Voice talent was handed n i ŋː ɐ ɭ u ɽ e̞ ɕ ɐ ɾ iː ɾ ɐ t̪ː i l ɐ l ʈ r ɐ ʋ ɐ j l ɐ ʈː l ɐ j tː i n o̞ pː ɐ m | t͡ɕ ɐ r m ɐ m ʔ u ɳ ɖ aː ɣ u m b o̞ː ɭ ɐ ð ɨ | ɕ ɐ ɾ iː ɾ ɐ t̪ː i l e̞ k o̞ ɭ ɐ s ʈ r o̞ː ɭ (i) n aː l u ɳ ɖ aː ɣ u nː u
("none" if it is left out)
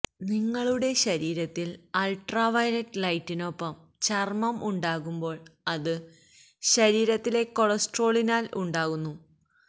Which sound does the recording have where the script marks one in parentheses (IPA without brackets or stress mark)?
i